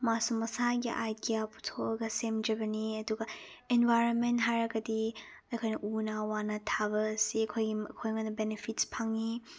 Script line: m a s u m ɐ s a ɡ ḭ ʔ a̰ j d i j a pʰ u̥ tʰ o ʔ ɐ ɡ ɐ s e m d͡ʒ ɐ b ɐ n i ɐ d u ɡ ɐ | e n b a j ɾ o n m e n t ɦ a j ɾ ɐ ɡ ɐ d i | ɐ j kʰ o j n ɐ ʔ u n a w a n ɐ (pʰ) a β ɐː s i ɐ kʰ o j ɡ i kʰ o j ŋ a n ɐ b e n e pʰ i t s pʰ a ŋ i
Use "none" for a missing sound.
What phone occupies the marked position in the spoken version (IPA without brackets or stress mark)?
tʰ